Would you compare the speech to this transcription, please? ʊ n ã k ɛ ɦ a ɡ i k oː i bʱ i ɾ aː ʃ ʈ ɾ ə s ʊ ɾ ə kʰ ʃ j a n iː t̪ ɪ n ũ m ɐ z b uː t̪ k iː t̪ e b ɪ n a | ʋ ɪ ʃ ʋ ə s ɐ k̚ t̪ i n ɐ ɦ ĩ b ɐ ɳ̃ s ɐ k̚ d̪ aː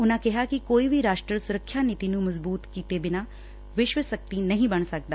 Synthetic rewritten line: ʊ n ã k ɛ ɦ a k i k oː i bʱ i ɾ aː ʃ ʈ ɾ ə s ʊ ɾ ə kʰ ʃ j a n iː t̪ i n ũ m ɐ z b uː t̪ k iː t̪ e b ɪ n a | ʋ ɪ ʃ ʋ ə s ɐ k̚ t̪ i n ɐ ɦ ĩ b ɐ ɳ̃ s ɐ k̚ d̪ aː